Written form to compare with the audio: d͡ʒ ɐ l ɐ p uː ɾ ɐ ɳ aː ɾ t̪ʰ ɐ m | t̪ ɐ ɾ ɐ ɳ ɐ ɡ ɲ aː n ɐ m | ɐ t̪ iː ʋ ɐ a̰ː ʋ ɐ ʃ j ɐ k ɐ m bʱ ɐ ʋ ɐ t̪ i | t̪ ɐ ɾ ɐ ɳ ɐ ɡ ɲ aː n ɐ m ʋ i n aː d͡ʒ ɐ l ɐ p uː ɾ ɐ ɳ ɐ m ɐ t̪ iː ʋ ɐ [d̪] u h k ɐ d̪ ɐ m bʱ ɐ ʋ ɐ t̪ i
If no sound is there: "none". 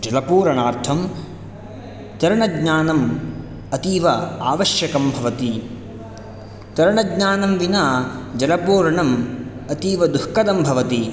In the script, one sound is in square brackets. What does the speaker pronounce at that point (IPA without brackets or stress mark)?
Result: d̪